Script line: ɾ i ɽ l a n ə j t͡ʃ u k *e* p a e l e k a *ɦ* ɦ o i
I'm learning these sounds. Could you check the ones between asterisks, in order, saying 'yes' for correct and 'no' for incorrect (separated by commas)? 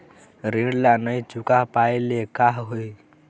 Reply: no, yes